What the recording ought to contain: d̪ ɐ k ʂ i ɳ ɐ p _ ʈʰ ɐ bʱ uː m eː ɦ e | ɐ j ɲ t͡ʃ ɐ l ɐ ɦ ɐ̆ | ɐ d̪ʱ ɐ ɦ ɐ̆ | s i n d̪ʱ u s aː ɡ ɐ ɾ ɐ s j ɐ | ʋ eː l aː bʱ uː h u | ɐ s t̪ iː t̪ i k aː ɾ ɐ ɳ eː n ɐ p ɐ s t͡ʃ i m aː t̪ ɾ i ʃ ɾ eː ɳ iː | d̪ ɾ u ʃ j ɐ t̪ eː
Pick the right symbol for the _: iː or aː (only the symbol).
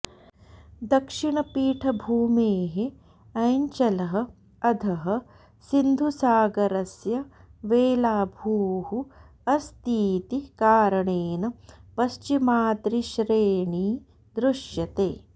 iː